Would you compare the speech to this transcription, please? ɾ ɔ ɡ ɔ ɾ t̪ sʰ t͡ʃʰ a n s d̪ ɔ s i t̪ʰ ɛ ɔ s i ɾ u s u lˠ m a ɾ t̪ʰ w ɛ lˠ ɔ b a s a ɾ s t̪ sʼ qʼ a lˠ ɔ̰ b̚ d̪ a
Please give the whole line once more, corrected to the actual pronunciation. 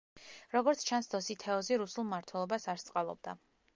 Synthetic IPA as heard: ɾ ɔ ɡ ɔ ɾ t̪ sʰ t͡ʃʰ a n s d̪ ɔ s i t̪ʰ ɛ ɔ z i ɾ u s u lˠ m a ɾ t̪ʰ w ɛ lˠ ɔ b a s a ɾ s t̪ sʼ qʼ a lˠ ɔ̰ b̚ d̪ a